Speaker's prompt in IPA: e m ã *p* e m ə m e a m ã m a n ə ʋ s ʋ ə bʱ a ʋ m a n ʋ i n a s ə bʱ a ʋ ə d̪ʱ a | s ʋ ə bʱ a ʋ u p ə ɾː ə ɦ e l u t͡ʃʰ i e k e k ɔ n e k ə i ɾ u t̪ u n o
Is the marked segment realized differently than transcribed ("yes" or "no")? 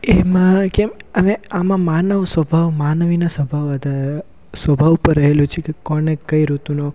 yes